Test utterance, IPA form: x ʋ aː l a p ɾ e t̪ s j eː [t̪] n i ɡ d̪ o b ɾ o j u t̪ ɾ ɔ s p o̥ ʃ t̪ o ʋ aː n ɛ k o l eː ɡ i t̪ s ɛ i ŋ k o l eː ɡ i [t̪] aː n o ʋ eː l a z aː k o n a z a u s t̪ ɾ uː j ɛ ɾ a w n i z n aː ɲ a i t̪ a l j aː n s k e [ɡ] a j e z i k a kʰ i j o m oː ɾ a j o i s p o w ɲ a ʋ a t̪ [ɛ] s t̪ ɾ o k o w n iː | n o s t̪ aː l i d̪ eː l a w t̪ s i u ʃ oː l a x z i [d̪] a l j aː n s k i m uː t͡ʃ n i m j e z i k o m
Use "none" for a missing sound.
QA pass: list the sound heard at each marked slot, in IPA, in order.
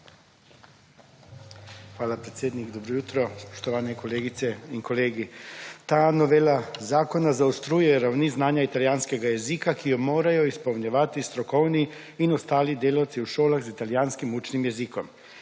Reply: d̪, t̪, ɡ, i, t̪

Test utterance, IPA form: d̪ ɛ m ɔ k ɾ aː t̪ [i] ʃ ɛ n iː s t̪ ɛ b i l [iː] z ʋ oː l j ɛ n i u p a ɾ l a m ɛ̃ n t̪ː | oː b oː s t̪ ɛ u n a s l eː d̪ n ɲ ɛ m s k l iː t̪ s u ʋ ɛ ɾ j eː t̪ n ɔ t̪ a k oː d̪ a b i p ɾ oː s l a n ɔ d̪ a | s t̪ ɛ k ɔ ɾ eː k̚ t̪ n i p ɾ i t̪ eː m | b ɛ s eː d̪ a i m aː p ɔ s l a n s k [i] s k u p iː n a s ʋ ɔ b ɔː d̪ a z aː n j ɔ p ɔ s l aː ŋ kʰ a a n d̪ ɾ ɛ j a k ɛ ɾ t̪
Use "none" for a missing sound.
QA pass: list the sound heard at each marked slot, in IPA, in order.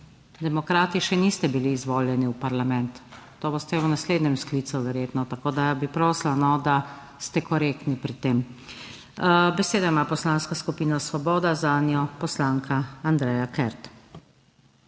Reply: i, iː, a

